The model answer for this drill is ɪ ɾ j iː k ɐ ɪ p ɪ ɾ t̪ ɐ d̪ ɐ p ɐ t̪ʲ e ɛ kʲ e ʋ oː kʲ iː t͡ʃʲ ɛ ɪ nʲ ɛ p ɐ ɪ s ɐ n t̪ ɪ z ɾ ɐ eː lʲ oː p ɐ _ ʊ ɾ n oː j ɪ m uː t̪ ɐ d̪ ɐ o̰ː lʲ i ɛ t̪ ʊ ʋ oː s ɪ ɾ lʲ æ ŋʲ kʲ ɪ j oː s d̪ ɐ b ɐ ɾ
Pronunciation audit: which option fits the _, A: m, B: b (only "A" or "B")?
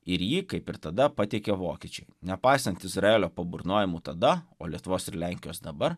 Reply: B